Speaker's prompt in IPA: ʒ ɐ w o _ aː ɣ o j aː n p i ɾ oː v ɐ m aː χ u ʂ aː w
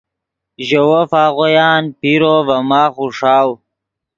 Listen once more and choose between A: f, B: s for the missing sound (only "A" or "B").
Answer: A